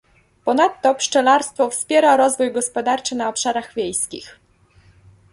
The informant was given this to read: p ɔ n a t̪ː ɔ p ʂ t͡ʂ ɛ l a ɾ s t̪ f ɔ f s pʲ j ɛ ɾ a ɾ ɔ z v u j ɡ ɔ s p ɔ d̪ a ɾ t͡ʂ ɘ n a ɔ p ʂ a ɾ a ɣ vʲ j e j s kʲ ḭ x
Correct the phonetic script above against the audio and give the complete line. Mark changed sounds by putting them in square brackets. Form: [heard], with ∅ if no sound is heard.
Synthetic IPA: p ɔ n a t̪ː ɔ p ʂ t͡ʂ ɛ l a ɾ s t̪ f ɔ f s pʲ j ɛ ɾ a ɾ ɔ z v u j ɡ ɔ s p ɔ d̪ a ɾ t͡ʂ ɘ n a ɔ p ʂ a ɾ a ɣ vʲ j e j s kʲ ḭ x